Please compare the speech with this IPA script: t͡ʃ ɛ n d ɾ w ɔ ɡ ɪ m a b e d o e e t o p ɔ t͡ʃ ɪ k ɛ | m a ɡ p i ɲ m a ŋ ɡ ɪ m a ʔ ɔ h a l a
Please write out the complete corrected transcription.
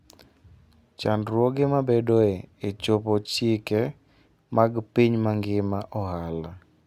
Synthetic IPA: t͡ʃ a n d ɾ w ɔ ɡ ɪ m a b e d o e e t͡ʃ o p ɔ t͡ʃ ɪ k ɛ | m a ɡ p i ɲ m a ŋ ɡ ɪ m a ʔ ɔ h a l a